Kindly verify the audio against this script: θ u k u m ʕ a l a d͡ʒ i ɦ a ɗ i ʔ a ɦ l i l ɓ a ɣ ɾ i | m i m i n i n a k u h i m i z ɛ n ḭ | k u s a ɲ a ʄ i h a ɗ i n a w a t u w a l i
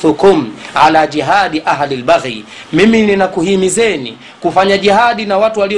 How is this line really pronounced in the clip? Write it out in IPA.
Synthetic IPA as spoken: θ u k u m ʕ a l a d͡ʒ i ɦ a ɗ i ʔ a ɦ l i l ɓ a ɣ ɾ i | m i m i n i n a k u h i m i z ɛ n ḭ | k u f a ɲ a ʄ i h a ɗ i n a w a t u w a l i